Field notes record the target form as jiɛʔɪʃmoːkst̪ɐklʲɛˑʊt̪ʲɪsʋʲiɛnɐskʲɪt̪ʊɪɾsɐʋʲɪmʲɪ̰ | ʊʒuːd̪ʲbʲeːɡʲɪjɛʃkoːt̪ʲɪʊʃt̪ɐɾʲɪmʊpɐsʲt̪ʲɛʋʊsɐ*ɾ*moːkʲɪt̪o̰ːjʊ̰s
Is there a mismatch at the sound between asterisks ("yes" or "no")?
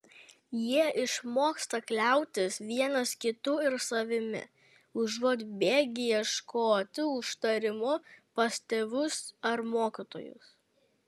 no